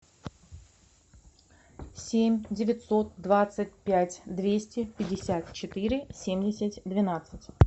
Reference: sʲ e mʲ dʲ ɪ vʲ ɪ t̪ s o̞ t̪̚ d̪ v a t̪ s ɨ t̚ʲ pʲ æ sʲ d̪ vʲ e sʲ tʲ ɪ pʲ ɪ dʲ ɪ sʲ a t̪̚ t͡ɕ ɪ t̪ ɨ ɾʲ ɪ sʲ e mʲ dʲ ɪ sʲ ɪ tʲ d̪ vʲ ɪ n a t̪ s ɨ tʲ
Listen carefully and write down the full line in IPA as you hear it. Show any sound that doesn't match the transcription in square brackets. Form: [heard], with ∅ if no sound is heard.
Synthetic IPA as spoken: sʲ e mʲ dʲ ɪ vʲ ɪ t̪ s o̞ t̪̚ d̪ v a t̪ s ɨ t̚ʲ pʲ æ [tʲ] d̪ vʲ e sʲ tʲ ɪ pʲ ɪ dʲ ɪ sʲ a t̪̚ t͡ɕ ɪ t̪ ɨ ɾʲ ɪ sʲ e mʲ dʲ ɪ sʲ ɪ tʲ d̪ vʲ ɪ n a t̪ s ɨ tʲ